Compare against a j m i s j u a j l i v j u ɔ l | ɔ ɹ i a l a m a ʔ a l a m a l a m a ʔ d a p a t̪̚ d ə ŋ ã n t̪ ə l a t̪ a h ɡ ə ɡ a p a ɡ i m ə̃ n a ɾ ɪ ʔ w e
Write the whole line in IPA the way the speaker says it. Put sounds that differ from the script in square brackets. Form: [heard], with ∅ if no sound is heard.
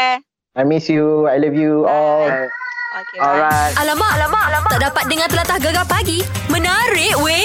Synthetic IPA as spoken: a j m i s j u a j l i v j u ɔ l | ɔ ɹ [a] a l a m a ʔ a l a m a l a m a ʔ d a p a t̪̚ d ə ŋ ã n t̪ ə l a t̪ a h ɡ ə ɡ a p a ɡ i m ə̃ n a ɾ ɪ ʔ w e